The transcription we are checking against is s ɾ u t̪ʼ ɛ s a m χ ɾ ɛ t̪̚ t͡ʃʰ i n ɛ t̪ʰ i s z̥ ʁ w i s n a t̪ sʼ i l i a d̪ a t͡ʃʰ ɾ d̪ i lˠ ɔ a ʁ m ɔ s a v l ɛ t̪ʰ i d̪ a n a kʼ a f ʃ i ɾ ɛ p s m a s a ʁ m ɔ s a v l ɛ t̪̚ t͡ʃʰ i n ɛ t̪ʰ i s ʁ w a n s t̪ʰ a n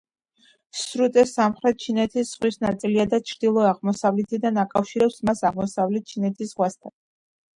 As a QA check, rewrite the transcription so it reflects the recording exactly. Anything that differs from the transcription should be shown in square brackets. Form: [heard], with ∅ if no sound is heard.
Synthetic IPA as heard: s ɾ u t̪ʼ ɛ s a m χ ɾ ɛ t̪̚ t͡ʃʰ i n ɛ t̪ʰ i s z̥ ʁ w i s n a t̪ sʼ i l i a d̪ a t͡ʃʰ ɾ d̪ i lˠ ɔ a ʁ m ɔ s a v l ɛ t̪ʰ i d̪ a n a kʼ a f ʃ i ɾ ɛ p s m a s a ʁ m ɔ s a v l ɛ t̪̚ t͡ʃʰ i n ɛ t̪ʰ i s ʁ w a [∅] s t̪ʰ a n